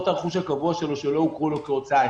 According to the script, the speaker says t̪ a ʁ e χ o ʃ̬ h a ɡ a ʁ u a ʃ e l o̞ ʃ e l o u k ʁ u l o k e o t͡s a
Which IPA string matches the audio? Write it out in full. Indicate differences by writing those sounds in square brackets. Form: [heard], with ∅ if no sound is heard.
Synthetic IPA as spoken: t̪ a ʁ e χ [u] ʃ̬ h a [k] a [v] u a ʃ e l o̞ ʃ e l o u k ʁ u l o k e o t͡s a